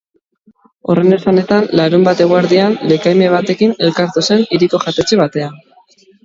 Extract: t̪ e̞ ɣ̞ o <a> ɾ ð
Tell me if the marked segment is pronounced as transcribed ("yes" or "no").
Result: yes